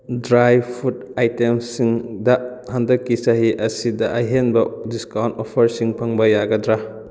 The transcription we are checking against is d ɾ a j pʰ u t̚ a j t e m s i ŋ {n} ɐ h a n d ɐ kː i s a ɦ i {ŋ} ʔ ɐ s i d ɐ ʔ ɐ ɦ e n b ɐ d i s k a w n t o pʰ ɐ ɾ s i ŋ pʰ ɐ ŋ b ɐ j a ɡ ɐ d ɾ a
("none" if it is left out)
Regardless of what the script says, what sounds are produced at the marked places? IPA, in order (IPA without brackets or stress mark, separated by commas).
d, none